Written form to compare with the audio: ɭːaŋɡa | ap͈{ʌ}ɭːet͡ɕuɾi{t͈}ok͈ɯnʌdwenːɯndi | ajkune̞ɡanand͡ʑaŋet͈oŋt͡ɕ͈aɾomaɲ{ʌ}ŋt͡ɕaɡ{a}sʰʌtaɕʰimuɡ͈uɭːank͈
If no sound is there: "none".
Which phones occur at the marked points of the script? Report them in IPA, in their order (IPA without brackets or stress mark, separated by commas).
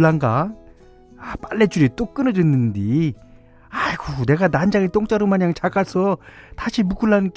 a, t͈, a, a